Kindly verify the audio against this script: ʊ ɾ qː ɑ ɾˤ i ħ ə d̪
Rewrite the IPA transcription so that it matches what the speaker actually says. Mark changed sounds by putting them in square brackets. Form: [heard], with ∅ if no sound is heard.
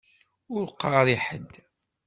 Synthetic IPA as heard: ʊ ɾ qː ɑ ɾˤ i ħ ə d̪